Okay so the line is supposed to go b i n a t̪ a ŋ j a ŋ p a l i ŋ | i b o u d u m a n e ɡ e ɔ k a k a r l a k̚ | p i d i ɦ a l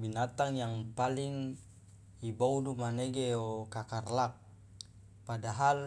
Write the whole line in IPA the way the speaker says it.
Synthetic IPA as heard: b i n a t̪ a ŋ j a ŋ p a l i ŋ | i b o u d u m a n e ɡ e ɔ k a k a r l a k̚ | p a d a ɦ a l